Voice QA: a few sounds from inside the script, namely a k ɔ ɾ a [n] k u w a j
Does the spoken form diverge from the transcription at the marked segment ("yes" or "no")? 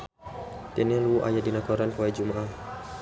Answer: no